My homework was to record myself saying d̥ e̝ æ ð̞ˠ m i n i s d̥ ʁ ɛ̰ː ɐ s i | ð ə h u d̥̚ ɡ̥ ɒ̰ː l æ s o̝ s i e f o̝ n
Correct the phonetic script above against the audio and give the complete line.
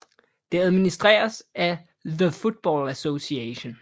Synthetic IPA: d̥ e̝ æ ð̞ˠ m i n i s d̥ ʁ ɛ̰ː ɐ s æ | ð ə f u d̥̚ b̥ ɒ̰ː l æ s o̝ s i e ɕ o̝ n